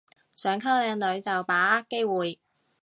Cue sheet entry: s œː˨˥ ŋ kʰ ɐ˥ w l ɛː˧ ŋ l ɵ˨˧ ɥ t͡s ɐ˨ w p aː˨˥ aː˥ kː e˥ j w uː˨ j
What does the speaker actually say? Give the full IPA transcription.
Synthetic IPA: s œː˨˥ ŋ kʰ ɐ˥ w l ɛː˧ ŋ l ɵ˨˧ ɥ t͡s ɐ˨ w p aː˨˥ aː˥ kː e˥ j w uː˨ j